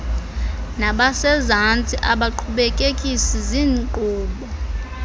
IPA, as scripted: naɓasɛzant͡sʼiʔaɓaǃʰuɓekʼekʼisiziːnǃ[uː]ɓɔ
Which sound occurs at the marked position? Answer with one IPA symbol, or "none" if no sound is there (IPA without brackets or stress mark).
uː